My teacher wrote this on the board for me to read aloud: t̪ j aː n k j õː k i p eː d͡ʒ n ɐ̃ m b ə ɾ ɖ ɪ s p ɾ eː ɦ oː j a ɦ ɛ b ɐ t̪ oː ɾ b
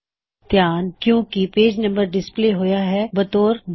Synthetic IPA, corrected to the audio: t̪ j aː n k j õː k i p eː d͡ʒ n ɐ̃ m b ə ɾ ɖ ɪ s p l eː ɦ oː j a ɦ ɛ b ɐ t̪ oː ɾ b